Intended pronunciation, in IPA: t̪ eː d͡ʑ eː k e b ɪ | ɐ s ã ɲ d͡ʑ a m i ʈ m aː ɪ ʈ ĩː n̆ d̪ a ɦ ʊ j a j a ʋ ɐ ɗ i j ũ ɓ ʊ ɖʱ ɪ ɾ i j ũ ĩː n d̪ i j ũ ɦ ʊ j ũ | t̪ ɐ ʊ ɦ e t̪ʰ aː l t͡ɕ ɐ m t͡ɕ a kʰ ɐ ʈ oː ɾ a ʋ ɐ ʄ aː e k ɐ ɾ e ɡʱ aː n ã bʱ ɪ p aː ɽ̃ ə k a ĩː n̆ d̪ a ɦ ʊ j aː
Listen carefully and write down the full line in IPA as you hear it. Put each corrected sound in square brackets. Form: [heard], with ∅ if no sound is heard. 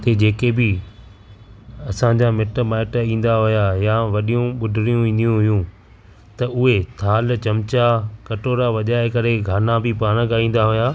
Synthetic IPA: t̪ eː d͡ʑ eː k e b ɪ | ɐ s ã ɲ d͡ʑ a m [ɪ] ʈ m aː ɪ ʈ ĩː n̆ d̪ a ɦ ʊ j a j a ʋ ɐ ɗ i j ũ ɓ ʊ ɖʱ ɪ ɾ i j ũ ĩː n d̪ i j ũ ɦ ʊ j ũ | t̪ ɐ ʊ ɦ e t̪ʰ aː l t͡ɕ ɐ m t͡ɕ a [k] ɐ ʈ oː ɾ a ʋ ɐ ʄ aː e k ɐ ɾ e ɡʱ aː n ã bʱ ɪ p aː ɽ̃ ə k a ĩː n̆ d̪ a ɦ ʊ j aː